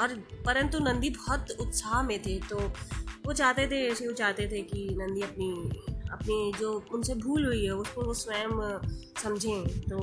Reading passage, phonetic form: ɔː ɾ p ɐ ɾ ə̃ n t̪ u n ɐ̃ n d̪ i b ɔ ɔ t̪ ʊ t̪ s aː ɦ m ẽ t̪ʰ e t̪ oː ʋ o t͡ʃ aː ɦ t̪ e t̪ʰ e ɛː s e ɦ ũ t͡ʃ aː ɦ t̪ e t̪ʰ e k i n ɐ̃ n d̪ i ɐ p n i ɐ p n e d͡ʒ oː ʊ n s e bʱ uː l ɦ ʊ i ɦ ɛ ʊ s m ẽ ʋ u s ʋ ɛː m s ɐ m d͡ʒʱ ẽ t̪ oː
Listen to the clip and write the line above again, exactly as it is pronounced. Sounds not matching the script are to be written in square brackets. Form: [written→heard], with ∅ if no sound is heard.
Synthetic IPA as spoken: ɔː ɾ p ɐ ɾ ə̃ n t̪ u n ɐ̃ n d̪ i b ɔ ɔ t̪ ʊ t̪ s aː ɦ m ẽ t̪ʰ e t̪ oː ʋ o t͡ʃ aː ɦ t̪ e t̪ʰ e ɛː s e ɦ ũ t͡ʃ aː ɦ t̪ e t̪ʰ e k i n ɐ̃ n d̪ i ɐ p n i ɐ p n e d͡ʒ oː ʊ n s e bʱ uː l ɦ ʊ i ɦ ɛ ʊ s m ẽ ʋ [u→o] s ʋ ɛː m s ɐ m d͡ʒʱ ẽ t̪ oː